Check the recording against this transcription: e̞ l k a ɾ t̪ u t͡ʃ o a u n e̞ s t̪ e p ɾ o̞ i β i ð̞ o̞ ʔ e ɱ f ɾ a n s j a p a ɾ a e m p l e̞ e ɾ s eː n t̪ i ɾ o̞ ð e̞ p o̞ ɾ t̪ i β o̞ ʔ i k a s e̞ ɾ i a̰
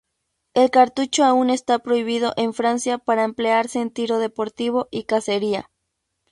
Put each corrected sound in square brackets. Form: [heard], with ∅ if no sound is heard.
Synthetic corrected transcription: e̞ l k a ɾ t̪ u t͡ʃ o a u n e̞ s t̪ [a] p ɾ o̞ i β i ð̞ o̞ ʔ e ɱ f ɾ a n s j a p a ɾ a e m p l e̞ [a] ɾ s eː n t̪ i ɾ o̞ ð e̞ p o̞ ɾ t̪ i β o̞ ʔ i k a s e̞ ɾ i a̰